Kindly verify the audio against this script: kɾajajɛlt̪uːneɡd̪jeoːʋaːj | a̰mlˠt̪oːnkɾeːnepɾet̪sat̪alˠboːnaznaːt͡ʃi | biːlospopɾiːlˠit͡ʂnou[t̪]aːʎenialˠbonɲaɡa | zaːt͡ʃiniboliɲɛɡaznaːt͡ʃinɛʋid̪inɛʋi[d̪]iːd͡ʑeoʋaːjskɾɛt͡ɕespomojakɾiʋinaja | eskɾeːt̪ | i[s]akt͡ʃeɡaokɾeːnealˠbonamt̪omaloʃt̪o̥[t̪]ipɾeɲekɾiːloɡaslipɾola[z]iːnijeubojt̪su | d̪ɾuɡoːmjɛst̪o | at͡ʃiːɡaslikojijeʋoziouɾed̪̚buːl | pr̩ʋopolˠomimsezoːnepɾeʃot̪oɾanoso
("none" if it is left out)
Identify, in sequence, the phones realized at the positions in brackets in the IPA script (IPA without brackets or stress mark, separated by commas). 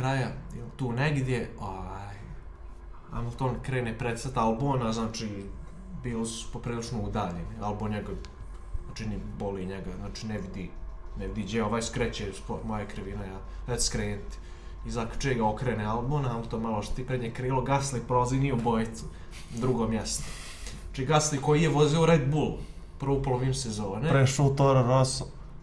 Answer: d̪, d̪, z, t̪, z